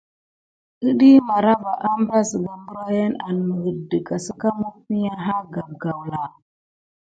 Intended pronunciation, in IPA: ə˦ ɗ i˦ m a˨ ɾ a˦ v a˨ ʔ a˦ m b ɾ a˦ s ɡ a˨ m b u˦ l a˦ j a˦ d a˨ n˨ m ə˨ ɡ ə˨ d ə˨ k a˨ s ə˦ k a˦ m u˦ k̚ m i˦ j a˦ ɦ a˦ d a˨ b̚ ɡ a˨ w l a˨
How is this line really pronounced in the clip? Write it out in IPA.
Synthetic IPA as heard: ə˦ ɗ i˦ m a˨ ɾ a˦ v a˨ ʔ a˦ m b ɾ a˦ s ɡ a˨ m b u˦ ɾ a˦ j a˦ n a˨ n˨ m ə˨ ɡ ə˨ d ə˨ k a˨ s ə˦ k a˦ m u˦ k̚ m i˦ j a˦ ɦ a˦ ɡ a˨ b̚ ɡ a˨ w l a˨